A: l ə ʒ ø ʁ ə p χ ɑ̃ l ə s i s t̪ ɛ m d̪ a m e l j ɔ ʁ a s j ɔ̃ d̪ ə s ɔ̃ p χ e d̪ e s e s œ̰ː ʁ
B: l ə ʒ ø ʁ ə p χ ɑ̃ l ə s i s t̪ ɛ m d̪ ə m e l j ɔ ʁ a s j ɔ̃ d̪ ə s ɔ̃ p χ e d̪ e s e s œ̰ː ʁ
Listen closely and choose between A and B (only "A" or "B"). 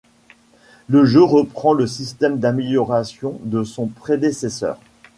A